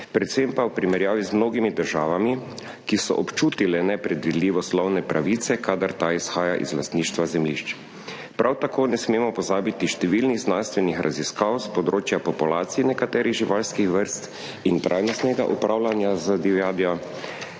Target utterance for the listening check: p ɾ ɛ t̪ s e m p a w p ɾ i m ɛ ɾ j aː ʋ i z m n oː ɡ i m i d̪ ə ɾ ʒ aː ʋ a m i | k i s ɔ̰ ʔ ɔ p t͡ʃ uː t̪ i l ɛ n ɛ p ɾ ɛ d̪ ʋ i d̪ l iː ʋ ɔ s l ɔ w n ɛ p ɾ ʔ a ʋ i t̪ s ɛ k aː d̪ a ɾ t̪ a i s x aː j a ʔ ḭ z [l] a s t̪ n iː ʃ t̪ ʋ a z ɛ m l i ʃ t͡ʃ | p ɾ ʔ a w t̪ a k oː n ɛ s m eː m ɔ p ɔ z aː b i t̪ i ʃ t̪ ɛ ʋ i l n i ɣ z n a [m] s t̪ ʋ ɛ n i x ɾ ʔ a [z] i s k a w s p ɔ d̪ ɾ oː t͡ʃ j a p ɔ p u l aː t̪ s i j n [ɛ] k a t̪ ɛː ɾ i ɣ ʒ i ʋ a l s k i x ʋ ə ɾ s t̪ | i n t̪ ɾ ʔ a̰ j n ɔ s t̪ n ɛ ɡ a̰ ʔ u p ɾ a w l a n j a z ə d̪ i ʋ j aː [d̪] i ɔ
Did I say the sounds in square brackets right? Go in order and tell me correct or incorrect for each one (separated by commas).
correct, incorrect, correct, correct, correct